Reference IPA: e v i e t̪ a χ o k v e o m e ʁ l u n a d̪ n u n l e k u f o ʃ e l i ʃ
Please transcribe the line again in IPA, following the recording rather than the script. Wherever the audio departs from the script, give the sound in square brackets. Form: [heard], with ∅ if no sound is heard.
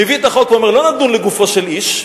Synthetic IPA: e v i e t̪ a χ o k v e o m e ʁ l [o] n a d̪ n u n l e [ɡ] u f o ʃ e l i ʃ

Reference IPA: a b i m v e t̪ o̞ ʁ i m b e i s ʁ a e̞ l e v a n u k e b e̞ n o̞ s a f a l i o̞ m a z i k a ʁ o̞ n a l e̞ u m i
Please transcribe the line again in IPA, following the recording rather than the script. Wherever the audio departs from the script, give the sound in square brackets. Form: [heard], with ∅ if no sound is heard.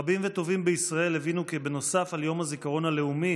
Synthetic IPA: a b i m v e t̪ o̞ [v] i m b e i s ʁ a e̞ l e v [i] n u k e b e̞ n o̞ s a f a l [j] o̞ m a z i k a ʁ o̞ n a l e̞ u m i

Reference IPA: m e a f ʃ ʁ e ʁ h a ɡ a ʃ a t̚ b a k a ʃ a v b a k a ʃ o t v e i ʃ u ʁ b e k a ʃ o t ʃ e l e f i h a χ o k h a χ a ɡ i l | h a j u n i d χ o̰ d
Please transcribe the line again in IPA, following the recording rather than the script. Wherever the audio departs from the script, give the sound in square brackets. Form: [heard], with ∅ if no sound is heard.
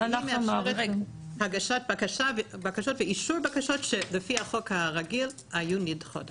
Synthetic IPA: m e a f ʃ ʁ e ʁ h a ɡ a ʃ a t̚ b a k a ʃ a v b a k a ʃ o t v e i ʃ u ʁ b [a] k a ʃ o t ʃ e l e f i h a χ o k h a [ʁ] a ɡ i l | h a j u n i d χ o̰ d

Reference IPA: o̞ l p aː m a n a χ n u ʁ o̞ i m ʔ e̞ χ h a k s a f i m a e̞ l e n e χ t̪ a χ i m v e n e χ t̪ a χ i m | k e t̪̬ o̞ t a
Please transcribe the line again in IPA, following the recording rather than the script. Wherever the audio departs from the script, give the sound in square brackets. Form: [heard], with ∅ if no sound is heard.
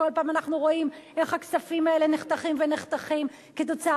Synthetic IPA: o̞ l p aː m a n a χ n u ʁ o̞ i m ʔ e̞ χ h a k s a f i m a e̞ l e n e χ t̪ a χ i m v e n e χ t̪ a χ i m | k e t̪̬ o̞ [t͡s] a

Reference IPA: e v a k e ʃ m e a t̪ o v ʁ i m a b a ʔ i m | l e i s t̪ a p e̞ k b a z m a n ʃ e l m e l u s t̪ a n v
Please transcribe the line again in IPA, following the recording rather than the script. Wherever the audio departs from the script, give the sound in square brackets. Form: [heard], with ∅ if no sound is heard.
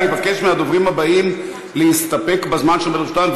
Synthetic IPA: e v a k e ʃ m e a [d̪] o v ʁ i m a b a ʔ i m | l e i s t̪ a p e̞ k b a z m a n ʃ e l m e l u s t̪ a n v

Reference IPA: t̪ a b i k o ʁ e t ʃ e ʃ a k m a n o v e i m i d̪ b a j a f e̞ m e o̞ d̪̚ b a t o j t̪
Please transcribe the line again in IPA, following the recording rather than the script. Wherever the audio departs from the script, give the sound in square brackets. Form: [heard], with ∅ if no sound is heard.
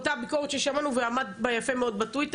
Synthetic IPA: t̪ a b i k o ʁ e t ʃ e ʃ a [∅] m a n [u] v e [a] m [a] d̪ b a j a f e̞ m e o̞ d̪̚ b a t [u] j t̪

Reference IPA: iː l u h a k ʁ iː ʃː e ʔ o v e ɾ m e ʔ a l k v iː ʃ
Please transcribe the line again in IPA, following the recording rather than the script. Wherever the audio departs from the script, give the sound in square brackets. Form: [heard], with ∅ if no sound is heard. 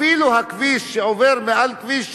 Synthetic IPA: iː l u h a k [v] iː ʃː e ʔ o v e ɾ m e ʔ a l k v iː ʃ

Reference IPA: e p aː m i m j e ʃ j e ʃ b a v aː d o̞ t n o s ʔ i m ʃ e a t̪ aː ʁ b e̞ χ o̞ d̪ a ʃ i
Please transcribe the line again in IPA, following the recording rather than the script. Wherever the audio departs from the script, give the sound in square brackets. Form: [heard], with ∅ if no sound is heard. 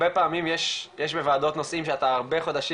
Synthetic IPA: e p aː m i m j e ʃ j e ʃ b [e] v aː d o̞ t n o s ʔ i m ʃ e a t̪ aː ʁ b e̞ χ o̞ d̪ a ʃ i

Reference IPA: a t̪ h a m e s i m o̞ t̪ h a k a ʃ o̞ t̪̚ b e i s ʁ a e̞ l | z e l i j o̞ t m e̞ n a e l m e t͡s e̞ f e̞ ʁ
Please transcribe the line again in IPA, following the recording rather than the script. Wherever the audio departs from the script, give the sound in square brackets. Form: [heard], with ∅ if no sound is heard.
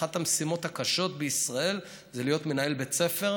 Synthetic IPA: a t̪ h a m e s i m o̞ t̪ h a k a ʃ o̞ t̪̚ b e i s ʁ a e̞ l | z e l i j o̞ t m e̞ n a e l [b] e t͡s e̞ f e̞ ʁ

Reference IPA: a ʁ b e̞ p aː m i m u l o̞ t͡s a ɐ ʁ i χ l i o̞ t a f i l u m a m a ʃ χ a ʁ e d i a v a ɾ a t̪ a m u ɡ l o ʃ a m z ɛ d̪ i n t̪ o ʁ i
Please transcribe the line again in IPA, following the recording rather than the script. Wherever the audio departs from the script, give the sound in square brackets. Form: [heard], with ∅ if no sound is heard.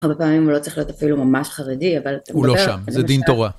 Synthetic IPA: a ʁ b e̞ p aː m i m u l o̞ t͡s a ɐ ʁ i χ l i o̞ t a f i l u m a m a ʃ χ a ʁ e d i a v a [l] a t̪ a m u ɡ l o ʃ a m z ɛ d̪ i n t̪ o ʁ [a]

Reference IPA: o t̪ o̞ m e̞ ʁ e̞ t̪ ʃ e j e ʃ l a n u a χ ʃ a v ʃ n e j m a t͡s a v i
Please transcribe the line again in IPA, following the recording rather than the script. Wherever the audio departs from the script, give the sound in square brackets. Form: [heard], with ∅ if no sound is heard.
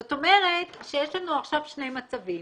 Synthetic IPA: o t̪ o̞ m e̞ ʁ e̞ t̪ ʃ e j e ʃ l a n u a χ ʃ a v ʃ n e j m a t͡s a v i

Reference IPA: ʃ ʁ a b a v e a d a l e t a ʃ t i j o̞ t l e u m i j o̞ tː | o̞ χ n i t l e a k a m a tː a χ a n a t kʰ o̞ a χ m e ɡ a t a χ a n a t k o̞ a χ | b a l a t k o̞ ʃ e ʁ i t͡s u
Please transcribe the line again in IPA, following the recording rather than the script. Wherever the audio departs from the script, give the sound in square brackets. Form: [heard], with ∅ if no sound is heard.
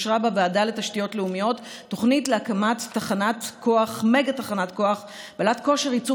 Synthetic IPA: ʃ ʁ a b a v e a d a l e t a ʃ t i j o̞ t l e u m i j o̞ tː | o̞ χ n i t l e a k a m a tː a χ a n a t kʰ o̞ a χ m e ɡ a t a χ a n a t k o̞ a χ | b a l a t k o̞ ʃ e ʁ i t͡s u

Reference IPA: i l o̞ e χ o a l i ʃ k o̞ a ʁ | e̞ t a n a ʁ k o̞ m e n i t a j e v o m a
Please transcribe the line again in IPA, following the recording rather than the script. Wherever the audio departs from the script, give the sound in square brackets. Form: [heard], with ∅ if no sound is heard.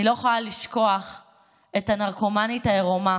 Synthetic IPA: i l o̞ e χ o a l i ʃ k o̞ a [χ] | e̞ t a n a ʁ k o̞ m [a] n i t a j e [ʁ] o m a

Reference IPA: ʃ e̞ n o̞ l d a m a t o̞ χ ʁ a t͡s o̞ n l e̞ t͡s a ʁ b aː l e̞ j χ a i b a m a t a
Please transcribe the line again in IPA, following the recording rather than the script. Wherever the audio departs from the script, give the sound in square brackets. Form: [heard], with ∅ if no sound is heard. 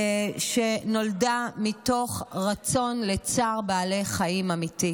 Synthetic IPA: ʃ e̞ n o̞ l d a m [i] t o̞ χ ʁ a t͡s o̞ n l e̞ t͡s a ʁ b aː l e̞ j χ a i [m] a m [i] t [i]

